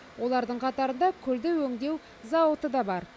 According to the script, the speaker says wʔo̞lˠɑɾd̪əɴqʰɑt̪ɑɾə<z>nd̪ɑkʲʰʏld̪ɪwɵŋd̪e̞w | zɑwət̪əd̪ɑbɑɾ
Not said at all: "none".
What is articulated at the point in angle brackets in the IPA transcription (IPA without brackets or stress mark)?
none